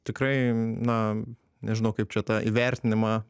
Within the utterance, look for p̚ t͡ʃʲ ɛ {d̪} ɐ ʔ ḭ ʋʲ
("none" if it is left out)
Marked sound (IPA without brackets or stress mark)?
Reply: t̪